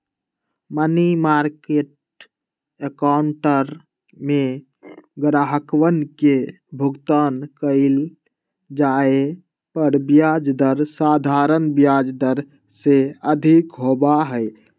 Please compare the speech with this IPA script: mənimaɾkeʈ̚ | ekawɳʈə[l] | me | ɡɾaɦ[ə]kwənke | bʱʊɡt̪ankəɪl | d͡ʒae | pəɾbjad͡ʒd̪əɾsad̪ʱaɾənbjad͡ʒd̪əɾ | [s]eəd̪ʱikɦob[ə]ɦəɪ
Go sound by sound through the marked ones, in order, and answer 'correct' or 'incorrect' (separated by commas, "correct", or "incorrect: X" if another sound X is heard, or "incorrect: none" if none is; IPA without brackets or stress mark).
incorrect: ɾ, correct, correct, incorrect: a